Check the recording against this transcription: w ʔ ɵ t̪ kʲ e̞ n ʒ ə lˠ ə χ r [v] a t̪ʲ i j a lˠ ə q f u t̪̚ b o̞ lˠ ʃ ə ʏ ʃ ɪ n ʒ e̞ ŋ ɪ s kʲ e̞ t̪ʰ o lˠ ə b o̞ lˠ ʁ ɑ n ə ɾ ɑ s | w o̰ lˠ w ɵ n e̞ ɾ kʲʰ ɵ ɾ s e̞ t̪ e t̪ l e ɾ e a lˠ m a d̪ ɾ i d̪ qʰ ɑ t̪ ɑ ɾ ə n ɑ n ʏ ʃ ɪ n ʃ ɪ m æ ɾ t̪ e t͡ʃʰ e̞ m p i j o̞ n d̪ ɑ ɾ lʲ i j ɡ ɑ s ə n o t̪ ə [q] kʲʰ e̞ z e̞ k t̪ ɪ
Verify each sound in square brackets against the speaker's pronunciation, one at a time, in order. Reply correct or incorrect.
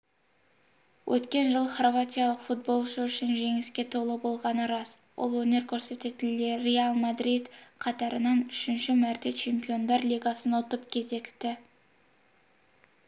correct, incorrect: p

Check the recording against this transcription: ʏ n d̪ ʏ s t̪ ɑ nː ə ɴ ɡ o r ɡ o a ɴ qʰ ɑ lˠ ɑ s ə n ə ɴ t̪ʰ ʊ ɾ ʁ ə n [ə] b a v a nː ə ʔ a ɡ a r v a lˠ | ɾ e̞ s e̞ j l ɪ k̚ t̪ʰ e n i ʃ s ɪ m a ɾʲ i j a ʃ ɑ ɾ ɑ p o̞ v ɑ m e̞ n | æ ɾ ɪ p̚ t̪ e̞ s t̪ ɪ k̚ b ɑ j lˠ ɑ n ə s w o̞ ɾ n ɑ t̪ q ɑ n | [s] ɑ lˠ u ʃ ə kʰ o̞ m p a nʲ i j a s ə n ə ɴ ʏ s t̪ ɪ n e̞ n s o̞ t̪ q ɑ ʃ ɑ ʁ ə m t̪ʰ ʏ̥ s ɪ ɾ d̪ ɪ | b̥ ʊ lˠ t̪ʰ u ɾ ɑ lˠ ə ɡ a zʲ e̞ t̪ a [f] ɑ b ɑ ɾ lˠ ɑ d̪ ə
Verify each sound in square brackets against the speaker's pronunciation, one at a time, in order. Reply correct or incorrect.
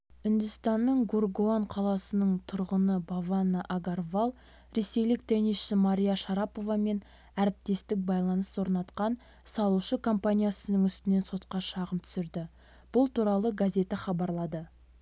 correct, correct, incorrect: χ

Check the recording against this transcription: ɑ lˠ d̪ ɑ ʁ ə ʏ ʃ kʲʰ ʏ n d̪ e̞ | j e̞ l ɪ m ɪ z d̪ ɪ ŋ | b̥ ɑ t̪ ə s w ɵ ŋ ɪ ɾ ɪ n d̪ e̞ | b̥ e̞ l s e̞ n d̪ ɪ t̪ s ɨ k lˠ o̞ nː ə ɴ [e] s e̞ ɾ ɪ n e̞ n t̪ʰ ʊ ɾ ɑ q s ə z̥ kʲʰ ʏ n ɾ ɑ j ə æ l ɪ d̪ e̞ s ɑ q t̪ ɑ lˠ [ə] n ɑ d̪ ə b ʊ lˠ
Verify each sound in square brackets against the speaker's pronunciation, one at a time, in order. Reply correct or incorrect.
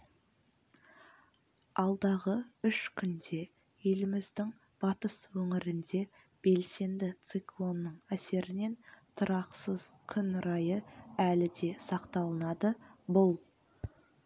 incorrect: æ, correct

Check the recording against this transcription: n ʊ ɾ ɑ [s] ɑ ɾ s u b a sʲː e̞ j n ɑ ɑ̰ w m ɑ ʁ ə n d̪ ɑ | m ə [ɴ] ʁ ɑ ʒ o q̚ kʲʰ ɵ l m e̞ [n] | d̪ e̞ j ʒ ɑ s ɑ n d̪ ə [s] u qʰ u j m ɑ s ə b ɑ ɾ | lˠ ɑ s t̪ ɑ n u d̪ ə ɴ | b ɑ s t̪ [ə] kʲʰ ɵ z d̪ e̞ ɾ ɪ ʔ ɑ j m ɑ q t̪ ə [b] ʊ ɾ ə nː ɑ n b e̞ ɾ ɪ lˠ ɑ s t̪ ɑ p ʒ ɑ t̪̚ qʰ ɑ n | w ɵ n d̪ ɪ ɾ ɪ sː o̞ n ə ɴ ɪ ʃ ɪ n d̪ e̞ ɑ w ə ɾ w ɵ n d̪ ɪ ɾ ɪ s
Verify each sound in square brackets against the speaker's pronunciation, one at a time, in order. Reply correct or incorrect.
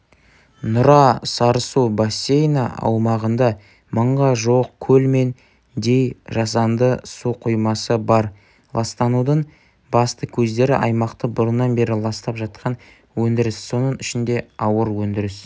correct, correct, correct, correct, correct, correct

